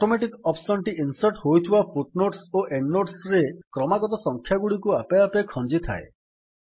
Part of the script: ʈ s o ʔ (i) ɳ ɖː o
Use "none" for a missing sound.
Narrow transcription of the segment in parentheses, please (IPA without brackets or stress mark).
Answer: e